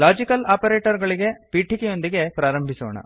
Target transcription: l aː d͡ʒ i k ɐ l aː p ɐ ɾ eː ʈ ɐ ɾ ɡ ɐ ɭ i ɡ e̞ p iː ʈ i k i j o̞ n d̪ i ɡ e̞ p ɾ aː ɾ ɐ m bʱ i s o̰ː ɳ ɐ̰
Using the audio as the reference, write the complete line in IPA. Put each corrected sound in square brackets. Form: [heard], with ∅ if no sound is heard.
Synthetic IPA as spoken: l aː d͡ʒ i k ɐ l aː p ɐ ɾ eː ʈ ɐ ɾ ɡ ɐ ɭ i ɡ e̞ p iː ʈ i k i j o̞ n d̪ i ɡ e̞ p ɾ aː ɾ ɐ m bʱ i s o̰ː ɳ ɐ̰